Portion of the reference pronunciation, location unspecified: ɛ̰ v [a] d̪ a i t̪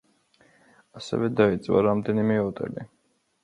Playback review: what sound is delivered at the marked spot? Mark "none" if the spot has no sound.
ɛ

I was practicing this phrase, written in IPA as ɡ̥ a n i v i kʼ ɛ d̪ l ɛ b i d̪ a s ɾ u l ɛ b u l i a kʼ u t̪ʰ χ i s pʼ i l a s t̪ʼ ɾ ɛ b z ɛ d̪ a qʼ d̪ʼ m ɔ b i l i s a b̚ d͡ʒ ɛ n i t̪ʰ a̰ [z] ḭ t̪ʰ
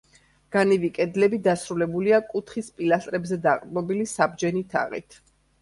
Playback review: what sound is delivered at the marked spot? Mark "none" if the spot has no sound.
ʁ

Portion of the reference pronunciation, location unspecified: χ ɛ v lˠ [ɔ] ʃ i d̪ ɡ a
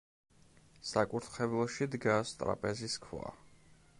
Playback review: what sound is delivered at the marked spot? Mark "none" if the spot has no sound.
ɔ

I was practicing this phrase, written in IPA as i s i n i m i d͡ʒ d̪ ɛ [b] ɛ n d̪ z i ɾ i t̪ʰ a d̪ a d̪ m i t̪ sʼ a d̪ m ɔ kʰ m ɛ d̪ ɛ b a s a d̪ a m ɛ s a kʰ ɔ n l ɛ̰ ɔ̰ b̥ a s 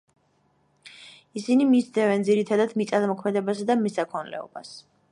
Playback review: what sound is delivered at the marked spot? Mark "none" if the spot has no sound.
v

